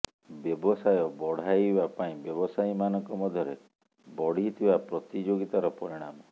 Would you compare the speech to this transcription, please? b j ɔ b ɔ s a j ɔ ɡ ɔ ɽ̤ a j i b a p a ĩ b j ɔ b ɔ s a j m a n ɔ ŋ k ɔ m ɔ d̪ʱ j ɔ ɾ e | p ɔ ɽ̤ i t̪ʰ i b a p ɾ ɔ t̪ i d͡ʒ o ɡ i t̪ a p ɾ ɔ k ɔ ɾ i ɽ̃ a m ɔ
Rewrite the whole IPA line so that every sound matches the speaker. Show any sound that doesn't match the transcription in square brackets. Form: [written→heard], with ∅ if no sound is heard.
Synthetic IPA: b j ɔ b ɔ s a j ɔ [ɡ→b] ɔ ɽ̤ a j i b a p a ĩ b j ɔ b ɔ s a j m a n ɔ ŋ k ɔ m ɔ d̪ʱ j ɔ ɾ e | [p→b] ɔ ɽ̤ i t̪ʰ i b a p ɾ ɔ t̪ i d͡ʒ o ɡ i t̪ a [p→∅] ɾ ɔ [k→p] ɔ ɾ i ɽ̃ a m ɔ